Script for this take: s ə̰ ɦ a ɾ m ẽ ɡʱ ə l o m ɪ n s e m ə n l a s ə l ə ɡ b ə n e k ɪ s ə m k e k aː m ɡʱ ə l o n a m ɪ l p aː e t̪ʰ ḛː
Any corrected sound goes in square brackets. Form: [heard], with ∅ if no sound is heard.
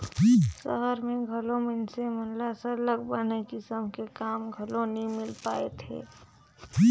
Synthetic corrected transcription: s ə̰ ɦ [ə] ɾ m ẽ ɡʱ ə l o m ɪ n s e m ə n l a s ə l ə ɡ b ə n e k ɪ s ə m k e k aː m ɡʱ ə l o n [i] m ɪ l p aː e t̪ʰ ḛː